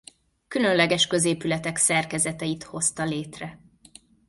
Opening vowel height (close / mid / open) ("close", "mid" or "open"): close